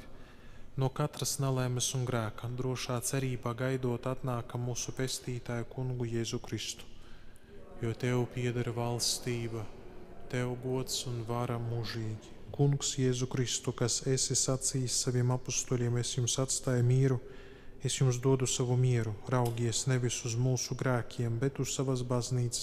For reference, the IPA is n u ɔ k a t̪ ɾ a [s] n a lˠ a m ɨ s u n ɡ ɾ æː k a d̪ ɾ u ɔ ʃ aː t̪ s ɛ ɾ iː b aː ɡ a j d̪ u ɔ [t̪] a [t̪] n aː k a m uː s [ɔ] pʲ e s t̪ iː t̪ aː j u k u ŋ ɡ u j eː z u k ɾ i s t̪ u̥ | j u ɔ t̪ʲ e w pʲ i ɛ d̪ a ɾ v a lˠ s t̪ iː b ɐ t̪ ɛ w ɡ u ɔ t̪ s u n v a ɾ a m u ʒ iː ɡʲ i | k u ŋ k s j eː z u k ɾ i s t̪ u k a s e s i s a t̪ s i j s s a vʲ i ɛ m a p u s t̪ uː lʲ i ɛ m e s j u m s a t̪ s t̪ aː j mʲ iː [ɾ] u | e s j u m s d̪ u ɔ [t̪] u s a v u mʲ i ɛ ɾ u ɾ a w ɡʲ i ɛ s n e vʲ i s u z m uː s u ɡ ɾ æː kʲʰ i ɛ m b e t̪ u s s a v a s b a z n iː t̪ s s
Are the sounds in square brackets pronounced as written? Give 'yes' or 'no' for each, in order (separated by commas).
yes, yes, yes, no, yes, no